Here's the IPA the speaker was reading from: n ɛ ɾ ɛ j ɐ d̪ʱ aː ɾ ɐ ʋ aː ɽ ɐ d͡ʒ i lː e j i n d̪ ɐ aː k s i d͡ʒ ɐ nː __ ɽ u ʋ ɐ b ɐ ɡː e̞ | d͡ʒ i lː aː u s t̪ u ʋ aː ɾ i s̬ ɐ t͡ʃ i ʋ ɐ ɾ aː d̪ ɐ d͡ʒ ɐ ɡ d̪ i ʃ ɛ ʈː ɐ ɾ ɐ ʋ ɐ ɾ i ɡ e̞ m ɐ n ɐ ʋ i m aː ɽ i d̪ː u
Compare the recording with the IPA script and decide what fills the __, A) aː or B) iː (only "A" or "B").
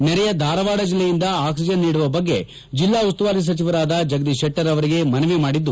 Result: B